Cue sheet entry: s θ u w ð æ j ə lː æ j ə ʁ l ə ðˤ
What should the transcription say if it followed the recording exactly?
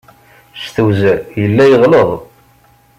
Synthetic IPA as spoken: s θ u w z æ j ə lː æ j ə ʁ l ə ðˤ